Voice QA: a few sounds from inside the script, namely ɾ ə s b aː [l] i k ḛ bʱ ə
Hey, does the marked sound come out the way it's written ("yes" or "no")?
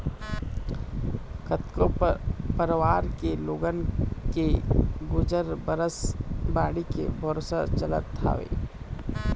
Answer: no